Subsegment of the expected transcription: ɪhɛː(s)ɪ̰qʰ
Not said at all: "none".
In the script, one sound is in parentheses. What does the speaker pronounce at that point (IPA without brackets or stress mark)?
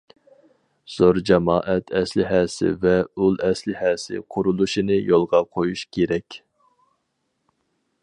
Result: s